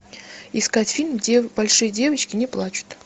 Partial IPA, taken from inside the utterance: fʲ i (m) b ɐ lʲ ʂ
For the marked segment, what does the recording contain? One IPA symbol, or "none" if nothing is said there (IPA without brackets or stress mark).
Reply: n